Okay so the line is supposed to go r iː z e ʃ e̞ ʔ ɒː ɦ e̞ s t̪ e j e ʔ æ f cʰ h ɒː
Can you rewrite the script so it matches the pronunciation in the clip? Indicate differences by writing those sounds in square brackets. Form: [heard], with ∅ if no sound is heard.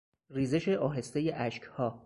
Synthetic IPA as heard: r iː z e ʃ e̞ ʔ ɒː ɦ e̞ s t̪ e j e ʔ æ [ʃ] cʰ h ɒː